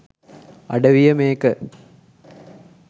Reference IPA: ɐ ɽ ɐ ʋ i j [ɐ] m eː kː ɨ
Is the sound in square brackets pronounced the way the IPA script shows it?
yes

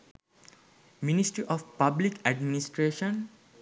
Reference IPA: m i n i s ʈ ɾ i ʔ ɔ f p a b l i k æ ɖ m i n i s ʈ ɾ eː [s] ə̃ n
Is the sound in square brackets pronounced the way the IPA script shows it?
no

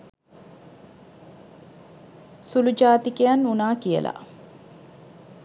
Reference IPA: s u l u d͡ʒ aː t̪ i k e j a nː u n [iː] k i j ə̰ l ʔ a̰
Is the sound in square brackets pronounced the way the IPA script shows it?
no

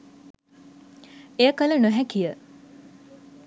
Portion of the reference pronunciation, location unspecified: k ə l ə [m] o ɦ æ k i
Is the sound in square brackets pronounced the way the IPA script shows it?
no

